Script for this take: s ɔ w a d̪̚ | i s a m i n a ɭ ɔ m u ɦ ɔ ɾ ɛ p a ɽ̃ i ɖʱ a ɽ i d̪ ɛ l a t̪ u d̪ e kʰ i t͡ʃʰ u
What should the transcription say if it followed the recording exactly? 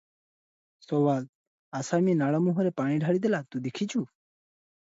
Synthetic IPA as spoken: s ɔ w a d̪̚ | a s a m i n a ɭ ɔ m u ɦ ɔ ɾ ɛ p a ɽ̃ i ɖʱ a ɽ i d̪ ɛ l a t̪ u d̪ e kʰ i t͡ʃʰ u